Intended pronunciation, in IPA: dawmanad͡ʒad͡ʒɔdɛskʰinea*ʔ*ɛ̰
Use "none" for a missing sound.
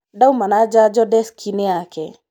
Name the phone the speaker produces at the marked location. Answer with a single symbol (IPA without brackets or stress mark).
k